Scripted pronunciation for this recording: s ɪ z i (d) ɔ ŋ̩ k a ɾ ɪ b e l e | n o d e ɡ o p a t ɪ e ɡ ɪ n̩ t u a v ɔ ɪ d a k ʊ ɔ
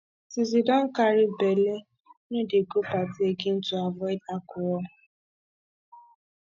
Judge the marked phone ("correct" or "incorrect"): correct